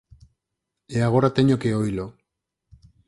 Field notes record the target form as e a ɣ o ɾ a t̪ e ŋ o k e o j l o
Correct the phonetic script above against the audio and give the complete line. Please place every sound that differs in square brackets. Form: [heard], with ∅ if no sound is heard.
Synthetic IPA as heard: e a ɣ o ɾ a t̪ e [ɲ] o k e o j l o

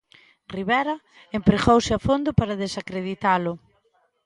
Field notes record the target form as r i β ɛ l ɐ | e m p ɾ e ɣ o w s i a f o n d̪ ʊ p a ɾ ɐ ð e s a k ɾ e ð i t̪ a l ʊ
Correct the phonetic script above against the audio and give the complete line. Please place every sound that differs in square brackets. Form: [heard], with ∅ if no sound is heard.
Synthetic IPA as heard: r i β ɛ [ɾ] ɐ | e m p ɾ e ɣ o w s [ɪ] a f o n d̪ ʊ p a ɾ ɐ ð e s a k ɾ e ð i t̪ a l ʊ

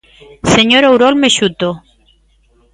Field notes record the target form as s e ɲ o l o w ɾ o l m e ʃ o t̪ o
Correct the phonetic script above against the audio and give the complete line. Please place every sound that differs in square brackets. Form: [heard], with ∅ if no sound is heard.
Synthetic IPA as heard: s e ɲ o [ɾ] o w ɾ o l m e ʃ [u] t̪ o

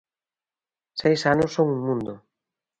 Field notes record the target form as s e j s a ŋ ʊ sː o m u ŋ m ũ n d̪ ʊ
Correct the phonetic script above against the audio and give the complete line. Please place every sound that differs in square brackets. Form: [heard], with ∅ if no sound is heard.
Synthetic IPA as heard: s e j s a [n] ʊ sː o [ŋ] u ŋ m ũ n d̪ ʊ

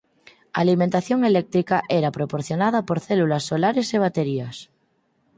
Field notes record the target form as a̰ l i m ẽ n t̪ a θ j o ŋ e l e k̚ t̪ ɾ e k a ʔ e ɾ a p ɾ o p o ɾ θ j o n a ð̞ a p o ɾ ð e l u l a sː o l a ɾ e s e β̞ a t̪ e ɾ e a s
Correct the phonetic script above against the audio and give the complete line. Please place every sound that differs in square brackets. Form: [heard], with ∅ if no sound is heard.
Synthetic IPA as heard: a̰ l i m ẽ n t̪ a θ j o ŋ e l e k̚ t̪ ɾ [i] k a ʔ e ɾ a p ɾ o p o ɾ θ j o n a ð̞ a p o ɾ [θ] e l u l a sː o l a ɾ e s e β̞ a t̪ e ɾ [i] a s

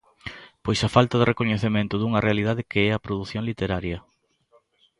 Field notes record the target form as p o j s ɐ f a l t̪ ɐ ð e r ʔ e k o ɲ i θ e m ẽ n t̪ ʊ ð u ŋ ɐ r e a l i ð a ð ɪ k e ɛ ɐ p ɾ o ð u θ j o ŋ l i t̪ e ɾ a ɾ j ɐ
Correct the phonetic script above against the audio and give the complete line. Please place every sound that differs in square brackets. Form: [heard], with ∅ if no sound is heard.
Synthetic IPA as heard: p o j s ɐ f a l t̪ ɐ ð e r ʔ e k o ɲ [e] θ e m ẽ n t̪ ʊ ð u ŋ ɐ r e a l i ð a ð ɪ k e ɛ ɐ p ɾ o ð u θ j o ŋ l i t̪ e ɾ a ɾ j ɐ

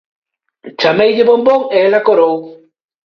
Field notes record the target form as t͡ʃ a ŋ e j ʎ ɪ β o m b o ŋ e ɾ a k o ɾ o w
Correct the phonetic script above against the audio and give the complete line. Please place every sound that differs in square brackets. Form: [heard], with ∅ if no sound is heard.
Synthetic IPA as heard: t͡ʃ a [m] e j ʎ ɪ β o m b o ŋ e [l] a k o ɾ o w

